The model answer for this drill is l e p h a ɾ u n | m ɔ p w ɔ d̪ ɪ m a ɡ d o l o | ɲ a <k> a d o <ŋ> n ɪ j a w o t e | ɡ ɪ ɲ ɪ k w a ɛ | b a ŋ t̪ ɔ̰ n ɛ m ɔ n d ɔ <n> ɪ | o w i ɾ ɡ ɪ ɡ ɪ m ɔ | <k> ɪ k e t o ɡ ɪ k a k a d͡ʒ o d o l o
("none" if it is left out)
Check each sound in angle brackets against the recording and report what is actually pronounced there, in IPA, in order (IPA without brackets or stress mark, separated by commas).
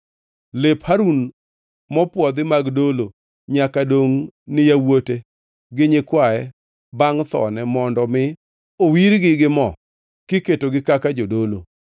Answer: k, ŋ, m, k